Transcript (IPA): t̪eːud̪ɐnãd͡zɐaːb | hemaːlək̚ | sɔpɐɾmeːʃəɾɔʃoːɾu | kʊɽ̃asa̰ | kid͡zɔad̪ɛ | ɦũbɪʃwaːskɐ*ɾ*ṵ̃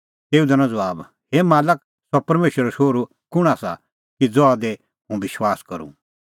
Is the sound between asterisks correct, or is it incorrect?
correct